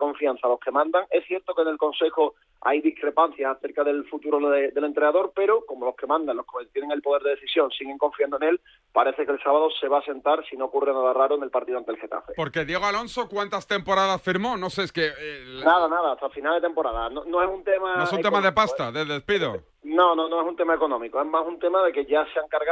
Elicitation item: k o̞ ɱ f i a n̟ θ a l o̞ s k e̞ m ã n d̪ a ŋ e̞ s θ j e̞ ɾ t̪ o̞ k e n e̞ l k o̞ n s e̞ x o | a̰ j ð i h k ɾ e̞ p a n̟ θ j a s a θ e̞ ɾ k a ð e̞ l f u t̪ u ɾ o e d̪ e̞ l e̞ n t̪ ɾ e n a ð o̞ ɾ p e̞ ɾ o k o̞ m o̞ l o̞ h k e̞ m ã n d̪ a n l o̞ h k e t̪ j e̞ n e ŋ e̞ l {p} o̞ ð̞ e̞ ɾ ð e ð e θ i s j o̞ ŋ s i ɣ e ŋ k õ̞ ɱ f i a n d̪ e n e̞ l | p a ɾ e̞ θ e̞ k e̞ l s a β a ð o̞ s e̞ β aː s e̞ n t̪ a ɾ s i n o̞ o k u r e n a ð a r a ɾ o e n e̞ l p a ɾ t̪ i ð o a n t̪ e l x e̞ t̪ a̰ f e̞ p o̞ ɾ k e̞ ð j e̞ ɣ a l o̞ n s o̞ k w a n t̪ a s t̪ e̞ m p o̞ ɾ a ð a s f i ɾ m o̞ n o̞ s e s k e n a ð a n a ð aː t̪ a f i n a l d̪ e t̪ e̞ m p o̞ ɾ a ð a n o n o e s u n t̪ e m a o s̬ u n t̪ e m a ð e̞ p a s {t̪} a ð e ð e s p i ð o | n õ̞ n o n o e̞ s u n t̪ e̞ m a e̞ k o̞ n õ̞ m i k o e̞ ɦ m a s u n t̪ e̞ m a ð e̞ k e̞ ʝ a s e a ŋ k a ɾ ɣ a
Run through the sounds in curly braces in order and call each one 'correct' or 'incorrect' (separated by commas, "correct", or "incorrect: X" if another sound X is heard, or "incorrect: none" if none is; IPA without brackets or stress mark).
correct, correct